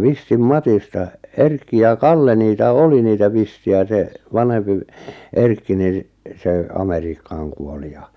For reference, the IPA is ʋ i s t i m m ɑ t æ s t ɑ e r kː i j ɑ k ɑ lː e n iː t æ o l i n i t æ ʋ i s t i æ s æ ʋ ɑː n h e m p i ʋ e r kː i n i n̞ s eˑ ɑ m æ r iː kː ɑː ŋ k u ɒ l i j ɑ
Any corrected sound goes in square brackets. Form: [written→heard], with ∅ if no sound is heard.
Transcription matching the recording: ʋ i s t i m m ɑ t [æ→i] s t ɑ e r kː i j ɑ k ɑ lː e n iː t æ o l i n [i→iː] t æ ʋ i s t i æ s [æ→e] ʋ [ɑː→ɑ] n h e m p i ʋ e r kː i n i n̞ s eˑ ɑ m [æ→e] r iː kː ɑː ŋ k u [ɒ→o] l i j ɑ